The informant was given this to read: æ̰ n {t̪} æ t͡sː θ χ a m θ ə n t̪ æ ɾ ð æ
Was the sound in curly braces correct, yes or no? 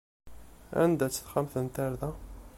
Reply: no